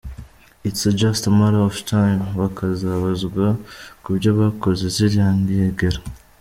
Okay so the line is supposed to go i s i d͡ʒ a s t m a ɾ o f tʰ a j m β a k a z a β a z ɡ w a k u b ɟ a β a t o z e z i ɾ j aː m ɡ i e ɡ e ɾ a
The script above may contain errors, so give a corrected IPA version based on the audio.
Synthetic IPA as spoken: i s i d͡ʒ a s t m a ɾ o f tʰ a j m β a k a z a β a z ɡ w a k u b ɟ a β a k o z e z i ɾ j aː ŋ ɡ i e ɡ e ɾ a